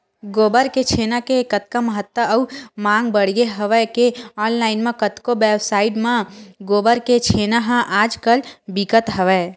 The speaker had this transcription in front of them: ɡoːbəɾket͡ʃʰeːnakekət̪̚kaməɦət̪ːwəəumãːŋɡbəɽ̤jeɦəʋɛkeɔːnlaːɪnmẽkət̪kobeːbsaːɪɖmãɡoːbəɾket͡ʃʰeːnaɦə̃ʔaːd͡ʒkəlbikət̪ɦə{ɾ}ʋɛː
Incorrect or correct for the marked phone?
incorrect: none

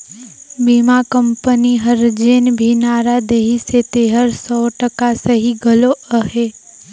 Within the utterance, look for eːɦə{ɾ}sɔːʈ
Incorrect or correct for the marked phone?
correct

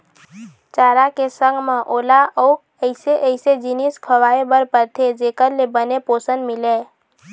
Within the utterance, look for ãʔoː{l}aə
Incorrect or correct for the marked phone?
correct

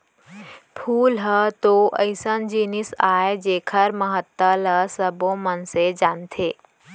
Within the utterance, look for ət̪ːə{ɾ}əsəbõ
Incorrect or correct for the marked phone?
incorrect: l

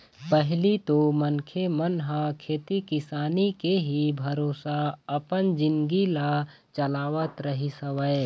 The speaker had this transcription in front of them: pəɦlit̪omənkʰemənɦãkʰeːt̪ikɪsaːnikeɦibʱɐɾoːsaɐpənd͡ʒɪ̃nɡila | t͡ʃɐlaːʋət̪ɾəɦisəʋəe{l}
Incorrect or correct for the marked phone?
incorrect: none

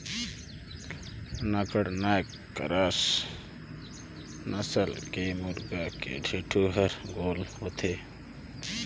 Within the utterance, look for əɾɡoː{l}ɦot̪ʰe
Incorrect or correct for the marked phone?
correct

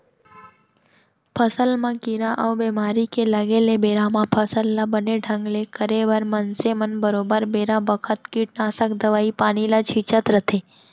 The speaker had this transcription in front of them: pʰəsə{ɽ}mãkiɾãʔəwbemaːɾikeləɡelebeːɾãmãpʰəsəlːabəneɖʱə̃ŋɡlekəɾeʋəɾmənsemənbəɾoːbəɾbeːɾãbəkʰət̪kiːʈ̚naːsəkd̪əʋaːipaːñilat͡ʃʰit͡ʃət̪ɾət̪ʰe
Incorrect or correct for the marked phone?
incorrect: l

